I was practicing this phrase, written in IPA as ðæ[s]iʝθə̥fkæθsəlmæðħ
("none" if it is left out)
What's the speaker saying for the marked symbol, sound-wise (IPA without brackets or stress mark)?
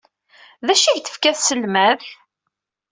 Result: ʃ